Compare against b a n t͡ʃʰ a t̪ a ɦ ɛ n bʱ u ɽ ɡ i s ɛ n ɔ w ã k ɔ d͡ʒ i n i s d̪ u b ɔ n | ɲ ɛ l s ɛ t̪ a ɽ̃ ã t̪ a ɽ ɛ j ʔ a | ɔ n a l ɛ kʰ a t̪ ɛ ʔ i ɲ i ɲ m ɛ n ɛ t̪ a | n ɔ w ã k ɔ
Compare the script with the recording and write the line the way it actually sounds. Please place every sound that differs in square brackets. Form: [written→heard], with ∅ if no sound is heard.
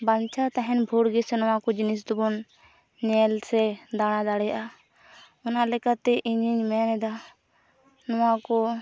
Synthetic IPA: b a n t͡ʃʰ a t̪ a ɦ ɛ n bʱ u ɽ ɡ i s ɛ n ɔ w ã k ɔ d͡ʒ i n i s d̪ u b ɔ n | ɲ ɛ l s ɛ [t̪→d̪] a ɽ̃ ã [t̪→d̪] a ɽ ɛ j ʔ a | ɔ n a l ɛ [kʰ→k] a t̪ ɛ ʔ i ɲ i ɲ m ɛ n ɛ [t̪→d̪] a | n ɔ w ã k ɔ